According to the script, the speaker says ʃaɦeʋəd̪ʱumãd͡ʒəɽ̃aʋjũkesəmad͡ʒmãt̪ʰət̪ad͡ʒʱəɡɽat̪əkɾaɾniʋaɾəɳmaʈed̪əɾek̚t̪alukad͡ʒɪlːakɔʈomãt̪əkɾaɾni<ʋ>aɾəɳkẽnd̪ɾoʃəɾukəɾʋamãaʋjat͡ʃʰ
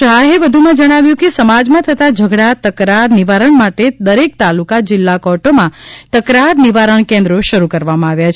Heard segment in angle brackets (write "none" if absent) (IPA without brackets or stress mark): ʋ